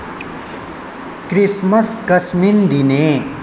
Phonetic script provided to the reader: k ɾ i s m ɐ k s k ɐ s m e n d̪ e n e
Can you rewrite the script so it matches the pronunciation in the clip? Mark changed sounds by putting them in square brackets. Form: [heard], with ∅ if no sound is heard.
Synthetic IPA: k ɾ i s m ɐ [∅] s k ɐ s m [i] n d̪ [i] n e